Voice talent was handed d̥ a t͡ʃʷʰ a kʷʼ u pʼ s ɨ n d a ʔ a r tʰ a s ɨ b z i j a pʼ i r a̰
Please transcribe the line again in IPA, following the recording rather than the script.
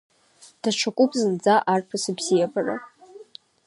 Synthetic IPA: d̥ a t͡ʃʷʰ a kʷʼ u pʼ z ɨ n d͡z a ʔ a r pʰ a s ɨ b z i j a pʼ a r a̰